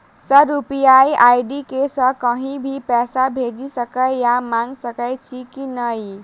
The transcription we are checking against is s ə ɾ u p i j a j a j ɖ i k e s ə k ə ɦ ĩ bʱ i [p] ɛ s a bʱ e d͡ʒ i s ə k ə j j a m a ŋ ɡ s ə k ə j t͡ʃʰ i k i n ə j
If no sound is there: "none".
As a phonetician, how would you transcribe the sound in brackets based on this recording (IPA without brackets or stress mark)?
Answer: p